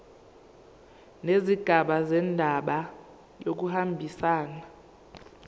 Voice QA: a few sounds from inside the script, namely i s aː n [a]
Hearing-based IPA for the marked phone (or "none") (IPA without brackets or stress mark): a